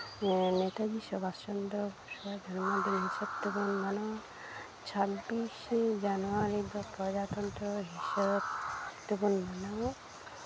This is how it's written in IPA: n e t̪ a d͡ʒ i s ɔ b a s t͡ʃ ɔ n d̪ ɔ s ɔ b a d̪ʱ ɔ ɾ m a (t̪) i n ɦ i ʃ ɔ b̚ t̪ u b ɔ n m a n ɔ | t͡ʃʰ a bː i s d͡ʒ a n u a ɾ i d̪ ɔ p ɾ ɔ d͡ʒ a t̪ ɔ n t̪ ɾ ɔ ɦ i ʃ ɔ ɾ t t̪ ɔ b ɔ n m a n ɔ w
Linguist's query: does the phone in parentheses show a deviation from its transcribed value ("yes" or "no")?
yes